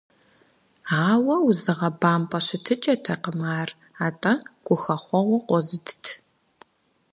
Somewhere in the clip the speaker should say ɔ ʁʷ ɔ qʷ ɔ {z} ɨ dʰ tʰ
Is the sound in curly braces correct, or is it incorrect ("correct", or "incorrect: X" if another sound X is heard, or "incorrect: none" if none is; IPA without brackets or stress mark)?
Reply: correct